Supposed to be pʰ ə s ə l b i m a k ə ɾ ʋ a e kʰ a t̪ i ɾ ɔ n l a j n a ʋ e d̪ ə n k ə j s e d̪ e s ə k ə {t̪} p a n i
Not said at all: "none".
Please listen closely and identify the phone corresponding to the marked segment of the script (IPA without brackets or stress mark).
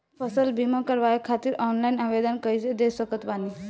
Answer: t̪